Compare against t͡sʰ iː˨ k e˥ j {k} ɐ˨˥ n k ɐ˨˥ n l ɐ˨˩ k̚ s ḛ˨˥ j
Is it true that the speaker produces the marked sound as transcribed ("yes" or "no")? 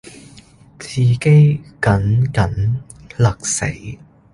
yes